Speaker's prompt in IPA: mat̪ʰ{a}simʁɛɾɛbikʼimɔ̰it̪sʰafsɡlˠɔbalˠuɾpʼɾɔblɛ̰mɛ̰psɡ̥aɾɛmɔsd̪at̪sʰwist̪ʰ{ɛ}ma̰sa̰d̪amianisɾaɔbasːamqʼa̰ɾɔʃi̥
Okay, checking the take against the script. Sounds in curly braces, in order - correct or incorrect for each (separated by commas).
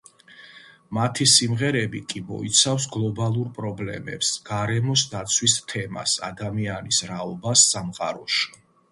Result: incorrect, correct